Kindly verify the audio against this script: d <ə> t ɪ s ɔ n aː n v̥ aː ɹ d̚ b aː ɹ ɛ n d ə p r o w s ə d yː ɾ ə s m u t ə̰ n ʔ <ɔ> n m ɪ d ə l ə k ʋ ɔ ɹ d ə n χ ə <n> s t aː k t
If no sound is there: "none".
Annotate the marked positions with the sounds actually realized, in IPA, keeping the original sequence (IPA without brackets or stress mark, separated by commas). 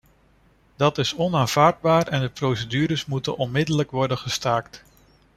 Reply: ɑ, ɔ, none